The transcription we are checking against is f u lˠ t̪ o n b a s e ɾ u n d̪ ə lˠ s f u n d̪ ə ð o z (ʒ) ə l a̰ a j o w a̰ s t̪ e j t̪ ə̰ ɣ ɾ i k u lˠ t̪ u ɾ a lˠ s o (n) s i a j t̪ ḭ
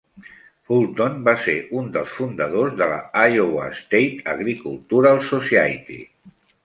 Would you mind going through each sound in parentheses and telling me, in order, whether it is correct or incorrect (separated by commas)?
incorrect, incorrect